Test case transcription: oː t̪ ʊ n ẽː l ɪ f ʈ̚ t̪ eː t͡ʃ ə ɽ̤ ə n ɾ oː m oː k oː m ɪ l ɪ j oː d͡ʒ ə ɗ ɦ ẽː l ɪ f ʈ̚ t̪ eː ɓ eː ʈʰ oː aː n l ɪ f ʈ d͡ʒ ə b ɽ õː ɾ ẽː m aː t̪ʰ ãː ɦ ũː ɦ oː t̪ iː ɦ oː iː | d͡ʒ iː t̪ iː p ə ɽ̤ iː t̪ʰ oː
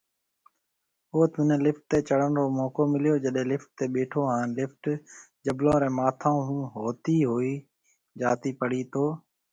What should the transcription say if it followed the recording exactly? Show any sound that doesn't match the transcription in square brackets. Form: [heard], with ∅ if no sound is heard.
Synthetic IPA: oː t̪ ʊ n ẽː l ɪ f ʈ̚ t̪ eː t͡ʃ ə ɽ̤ ə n ɾ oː m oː k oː m ɪ l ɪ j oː d͡ʒ ə ɗ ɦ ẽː l ɪ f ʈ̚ t̪ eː ɓ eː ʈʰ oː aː n l ɪ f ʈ d͡ʒ ə b [l] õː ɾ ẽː m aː t̪ʰ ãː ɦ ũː ɦ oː t̪ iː ɦ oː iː | d͡ʒ [aː] t̪ iː p ə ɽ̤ iː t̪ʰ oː